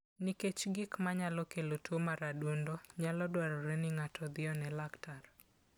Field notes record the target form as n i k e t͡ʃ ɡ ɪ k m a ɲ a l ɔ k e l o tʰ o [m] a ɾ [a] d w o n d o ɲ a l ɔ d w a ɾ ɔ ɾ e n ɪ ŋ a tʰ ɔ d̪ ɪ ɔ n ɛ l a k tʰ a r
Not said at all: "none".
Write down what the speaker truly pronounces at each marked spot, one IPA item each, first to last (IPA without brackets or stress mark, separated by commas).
m, a